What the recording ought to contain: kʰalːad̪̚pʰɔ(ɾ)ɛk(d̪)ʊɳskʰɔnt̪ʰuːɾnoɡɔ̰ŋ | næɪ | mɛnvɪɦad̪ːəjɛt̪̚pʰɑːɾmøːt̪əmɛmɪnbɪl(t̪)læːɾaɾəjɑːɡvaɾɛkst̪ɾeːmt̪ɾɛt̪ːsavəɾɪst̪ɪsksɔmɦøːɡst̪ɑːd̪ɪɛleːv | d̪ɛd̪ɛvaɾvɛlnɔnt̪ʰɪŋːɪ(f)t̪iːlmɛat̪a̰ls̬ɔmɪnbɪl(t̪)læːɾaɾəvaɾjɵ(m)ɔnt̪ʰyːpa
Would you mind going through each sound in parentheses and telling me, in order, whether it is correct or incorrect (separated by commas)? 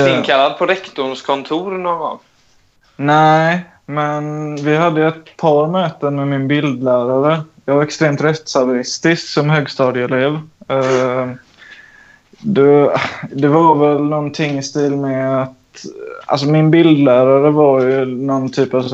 correct, incorrect, incorrect, incorrect, incorrect, incorrect